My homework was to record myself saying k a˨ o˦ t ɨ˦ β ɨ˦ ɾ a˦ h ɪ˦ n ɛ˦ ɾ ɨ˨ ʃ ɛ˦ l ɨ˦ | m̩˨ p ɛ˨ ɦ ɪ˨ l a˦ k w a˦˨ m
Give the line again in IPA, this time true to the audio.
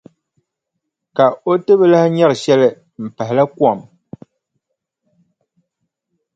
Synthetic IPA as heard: k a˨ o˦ t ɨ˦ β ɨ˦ l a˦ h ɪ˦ ɲ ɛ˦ ɾ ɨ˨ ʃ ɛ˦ l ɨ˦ | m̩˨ p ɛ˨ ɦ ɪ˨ l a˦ k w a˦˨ m